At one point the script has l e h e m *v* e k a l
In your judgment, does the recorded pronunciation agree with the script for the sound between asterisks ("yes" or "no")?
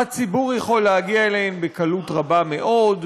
no